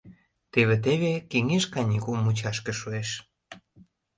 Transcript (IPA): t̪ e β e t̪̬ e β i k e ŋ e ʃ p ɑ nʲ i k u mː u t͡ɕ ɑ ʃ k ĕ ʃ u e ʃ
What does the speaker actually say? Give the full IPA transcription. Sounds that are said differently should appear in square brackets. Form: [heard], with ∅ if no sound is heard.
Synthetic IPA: t̪ e β e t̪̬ e β [e] k e ŋ e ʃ [k] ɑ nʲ i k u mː u t͡ɕ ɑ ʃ k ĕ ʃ u e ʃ